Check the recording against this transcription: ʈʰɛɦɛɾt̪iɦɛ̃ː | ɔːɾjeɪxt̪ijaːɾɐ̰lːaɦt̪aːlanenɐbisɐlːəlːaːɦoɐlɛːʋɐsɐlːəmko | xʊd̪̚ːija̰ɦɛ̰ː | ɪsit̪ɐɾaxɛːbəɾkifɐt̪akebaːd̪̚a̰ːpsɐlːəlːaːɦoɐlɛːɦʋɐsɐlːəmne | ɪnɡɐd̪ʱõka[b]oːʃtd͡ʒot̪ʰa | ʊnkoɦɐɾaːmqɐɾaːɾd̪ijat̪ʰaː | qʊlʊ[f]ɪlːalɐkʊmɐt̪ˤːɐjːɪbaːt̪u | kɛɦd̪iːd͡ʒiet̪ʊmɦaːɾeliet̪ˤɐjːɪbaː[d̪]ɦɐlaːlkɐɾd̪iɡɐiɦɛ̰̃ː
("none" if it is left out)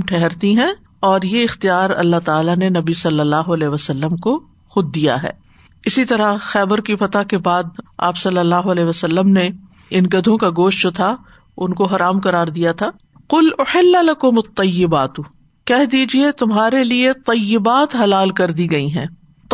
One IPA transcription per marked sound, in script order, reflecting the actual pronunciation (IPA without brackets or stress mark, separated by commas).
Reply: ɡ, ħ, t̪